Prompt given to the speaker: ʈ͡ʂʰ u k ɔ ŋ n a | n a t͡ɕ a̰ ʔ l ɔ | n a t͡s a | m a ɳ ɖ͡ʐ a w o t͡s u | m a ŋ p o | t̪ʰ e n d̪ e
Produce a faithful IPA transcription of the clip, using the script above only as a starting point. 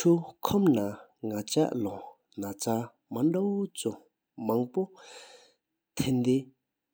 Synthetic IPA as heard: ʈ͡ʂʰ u kʰ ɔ m n a | ŋ a t͡ɕ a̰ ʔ l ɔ | n a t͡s a | m a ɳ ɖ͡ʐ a w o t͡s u | m a ŋ p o | t̪ʰ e n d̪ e